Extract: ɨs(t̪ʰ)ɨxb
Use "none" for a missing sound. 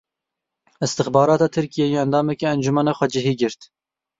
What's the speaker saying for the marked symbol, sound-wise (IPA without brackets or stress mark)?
t̪